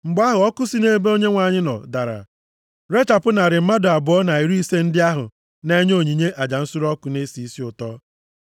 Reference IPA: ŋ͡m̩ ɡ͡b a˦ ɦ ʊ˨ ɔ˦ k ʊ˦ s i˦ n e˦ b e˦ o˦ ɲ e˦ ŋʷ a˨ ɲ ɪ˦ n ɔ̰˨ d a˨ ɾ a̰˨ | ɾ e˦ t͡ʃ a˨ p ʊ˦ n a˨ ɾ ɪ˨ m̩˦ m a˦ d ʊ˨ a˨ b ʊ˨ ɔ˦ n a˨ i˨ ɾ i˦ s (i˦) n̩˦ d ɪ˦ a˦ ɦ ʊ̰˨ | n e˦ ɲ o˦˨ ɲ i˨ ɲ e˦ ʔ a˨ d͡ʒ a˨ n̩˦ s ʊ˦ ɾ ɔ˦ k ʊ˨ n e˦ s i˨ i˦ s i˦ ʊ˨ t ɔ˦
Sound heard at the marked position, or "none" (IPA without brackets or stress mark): e˦